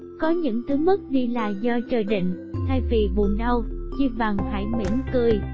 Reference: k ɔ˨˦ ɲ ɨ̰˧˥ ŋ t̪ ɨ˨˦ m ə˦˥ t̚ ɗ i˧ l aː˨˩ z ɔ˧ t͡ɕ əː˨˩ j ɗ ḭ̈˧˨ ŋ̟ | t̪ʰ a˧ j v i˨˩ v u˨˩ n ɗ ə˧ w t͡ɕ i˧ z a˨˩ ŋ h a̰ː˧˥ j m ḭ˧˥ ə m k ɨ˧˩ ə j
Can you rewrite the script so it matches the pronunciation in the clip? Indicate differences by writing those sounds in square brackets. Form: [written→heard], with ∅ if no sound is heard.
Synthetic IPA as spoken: k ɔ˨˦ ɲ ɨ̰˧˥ ŋ t̪ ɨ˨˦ m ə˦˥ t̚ ɗ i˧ l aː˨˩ z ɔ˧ t͡ɕ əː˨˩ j ɗ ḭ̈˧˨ ŋ̟ | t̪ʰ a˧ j v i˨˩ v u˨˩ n ɗ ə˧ w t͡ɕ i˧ [z→v] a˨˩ ŋ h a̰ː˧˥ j m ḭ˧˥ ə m k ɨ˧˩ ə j